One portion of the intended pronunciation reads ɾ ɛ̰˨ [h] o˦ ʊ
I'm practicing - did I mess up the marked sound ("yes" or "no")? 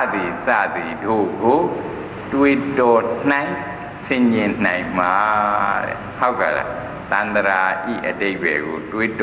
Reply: no